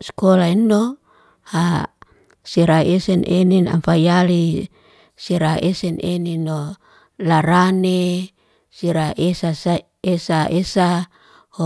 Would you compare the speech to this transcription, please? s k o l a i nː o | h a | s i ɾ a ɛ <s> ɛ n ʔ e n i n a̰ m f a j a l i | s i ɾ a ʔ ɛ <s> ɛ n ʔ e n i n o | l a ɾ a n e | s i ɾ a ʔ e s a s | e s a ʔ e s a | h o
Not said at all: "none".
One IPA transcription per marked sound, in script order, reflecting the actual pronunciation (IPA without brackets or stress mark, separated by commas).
s, s